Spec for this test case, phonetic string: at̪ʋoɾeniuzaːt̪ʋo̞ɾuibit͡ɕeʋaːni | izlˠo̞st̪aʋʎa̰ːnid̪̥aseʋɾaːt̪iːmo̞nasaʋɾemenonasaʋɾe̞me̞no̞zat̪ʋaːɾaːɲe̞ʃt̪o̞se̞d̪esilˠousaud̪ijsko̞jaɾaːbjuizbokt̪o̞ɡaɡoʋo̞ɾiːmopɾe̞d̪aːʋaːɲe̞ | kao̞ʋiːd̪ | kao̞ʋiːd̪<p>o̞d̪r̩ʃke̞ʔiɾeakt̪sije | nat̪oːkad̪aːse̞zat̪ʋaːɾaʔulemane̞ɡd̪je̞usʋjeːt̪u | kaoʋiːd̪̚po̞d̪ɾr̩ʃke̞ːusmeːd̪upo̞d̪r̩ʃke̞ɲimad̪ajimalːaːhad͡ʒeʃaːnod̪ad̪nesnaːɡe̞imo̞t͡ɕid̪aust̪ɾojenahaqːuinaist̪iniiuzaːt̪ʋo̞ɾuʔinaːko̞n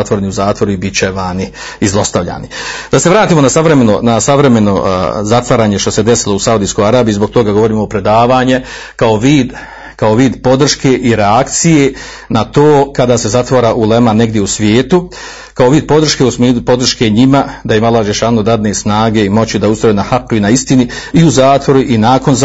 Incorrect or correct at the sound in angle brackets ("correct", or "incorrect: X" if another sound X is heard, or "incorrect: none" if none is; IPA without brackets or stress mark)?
correct